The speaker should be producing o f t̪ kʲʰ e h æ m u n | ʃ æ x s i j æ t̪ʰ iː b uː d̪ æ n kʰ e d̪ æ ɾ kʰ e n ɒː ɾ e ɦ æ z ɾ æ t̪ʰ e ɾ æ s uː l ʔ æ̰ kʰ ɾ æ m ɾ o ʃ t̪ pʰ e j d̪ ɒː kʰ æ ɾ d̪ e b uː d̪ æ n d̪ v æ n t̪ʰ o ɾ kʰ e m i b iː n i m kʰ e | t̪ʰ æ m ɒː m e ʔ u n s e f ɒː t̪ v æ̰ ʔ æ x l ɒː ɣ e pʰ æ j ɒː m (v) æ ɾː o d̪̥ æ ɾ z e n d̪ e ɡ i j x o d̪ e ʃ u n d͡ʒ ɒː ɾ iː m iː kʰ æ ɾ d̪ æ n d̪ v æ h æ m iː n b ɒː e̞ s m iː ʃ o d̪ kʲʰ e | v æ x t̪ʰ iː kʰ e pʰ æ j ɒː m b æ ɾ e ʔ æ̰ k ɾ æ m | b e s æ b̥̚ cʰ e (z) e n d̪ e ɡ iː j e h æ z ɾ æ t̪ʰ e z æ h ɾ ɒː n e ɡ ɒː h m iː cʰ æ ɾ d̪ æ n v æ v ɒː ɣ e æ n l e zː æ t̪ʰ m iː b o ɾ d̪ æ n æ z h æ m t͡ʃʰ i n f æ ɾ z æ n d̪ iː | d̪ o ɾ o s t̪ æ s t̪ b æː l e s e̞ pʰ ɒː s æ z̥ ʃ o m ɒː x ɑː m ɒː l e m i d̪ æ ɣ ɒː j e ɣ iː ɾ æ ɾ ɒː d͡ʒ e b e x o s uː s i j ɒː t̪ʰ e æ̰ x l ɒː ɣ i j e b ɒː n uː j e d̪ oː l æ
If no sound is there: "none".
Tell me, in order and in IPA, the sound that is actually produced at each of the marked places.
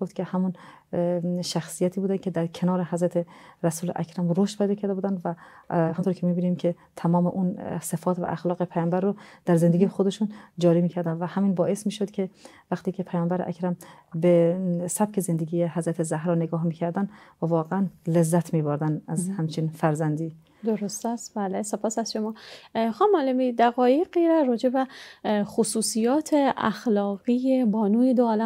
b, z

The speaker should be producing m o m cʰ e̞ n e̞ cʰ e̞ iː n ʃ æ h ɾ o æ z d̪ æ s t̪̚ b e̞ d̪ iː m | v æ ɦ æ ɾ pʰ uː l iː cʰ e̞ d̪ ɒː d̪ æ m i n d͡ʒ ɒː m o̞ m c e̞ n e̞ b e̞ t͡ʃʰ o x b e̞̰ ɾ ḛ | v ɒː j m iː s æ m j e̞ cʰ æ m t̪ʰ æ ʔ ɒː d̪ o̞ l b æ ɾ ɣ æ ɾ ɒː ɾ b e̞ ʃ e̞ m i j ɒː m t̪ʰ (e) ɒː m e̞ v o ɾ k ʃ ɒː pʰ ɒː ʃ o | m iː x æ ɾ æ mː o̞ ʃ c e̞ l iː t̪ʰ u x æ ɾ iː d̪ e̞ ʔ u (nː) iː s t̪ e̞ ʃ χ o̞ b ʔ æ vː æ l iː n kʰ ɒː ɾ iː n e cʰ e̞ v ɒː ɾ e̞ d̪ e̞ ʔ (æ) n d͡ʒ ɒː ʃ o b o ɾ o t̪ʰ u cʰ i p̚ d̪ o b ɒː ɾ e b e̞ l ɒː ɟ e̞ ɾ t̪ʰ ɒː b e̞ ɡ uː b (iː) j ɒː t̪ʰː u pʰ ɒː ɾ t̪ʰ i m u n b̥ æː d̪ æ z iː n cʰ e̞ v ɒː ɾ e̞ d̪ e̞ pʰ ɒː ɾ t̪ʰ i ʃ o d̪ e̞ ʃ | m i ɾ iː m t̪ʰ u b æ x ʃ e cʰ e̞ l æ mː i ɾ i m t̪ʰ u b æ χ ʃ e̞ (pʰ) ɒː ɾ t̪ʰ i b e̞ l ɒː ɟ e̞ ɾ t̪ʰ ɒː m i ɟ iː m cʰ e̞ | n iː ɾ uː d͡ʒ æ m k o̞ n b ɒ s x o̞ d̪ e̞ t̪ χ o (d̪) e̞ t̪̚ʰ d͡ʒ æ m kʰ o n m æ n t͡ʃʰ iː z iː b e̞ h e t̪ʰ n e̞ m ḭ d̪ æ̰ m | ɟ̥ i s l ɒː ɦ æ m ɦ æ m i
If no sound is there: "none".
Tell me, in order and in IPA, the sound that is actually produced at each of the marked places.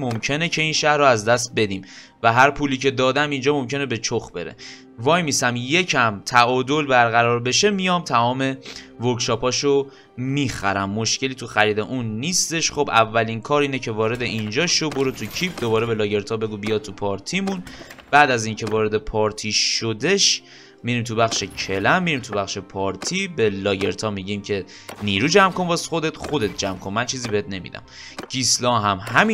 æ, nː, i, i, pʰ, d̪

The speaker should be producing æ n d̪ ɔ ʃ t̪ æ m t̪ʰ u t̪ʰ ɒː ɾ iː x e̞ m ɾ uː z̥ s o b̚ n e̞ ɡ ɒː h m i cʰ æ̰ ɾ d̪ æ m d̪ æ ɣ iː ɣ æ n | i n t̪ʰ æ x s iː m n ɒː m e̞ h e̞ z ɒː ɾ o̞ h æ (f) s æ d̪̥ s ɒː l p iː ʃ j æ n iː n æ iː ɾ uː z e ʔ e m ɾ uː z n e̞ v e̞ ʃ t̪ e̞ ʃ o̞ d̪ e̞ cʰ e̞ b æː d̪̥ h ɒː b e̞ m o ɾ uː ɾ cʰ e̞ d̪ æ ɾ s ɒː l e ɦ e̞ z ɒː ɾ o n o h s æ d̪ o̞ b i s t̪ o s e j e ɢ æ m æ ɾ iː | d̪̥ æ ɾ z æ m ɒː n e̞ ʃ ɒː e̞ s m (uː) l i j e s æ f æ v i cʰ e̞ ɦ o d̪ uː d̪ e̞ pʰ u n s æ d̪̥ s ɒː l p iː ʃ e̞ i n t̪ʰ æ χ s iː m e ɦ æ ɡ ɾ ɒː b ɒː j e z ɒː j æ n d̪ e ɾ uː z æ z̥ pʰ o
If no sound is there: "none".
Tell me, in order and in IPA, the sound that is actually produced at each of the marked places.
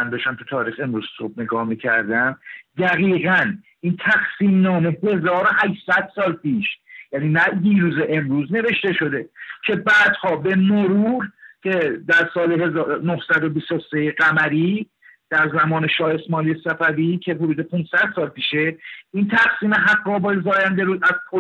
ʃ, ɒː

